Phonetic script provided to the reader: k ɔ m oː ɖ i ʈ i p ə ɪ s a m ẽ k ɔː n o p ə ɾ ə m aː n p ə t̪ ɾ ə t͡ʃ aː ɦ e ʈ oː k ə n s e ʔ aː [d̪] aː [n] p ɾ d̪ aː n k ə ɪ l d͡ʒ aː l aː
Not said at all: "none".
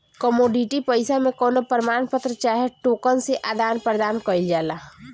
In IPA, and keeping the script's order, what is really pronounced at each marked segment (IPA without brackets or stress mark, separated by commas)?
d̪, n